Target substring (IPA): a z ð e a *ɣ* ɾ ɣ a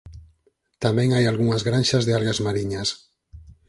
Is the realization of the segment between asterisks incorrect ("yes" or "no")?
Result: yes